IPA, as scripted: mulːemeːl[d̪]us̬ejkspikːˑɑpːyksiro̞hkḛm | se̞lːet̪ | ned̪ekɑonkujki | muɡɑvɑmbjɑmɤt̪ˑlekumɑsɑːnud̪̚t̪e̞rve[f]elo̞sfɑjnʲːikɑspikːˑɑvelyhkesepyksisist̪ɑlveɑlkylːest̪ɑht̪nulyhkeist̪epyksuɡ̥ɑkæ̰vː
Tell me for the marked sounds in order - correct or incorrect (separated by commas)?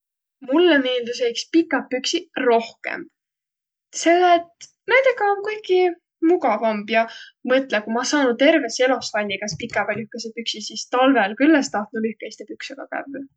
correct, incorrect